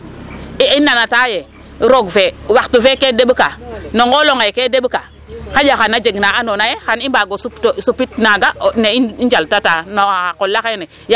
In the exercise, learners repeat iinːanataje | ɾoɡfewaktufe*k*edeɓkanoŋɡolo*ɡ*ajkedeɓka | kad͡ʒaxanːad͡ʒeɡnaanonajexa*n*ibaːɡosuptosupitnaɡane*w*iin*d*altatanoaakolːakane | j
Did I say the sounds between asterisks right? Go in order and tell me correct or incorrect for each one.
correct, incorrect, correct, incorrect, incorrect

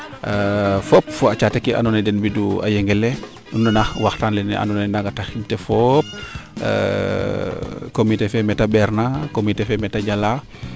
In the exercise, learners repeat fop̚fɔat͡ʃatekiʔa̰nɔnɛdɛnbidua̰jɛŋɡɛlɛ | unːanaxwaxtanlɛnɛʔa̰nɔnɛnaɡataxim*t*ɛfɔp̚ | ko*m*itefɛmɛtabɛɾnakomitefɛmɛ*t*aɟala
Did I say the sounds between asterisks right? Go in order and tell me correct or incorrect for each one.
correct, correct, correct

